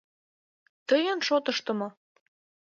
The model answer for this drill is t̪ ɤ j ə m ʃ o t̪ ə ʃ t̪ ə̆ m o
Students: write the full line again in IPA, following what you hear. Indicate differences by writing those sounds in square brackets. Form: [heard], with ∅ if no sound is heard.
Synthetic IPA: t̪ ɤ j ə [n] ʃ o t̪ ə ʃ t̪ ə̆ m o